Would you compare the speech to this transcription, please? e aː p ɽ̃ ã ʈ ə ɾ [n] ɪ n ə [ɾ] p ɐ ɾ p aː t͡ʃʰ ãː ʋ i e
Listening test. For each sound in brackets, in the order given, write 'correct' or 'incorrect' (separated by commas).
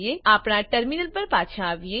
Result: incorrect, incorrect